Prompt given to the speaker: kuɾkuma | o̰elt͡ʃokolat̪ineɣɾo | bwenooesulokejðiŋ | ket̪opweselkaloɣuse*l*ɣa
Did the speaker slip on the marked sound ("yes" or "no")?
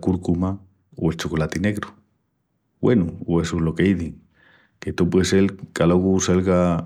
no